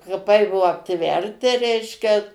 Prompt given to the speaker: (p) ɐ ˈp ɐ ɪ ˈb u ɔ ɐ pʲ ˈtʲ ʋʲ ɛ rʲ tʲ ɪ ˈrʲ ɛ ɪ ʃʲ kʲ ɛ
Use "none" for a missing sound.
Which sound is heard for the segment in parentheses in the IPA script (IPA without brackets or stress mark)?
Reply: k